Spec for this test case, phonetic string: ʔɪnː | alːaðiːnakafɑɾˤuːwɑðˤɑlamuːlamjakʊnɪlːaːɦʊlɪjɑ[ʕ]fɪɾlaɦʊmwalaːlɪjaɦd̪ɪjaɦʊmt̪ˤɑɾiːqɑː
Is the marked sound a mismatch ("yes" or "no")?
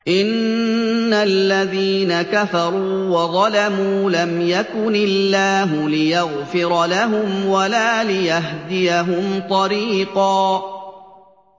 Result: yes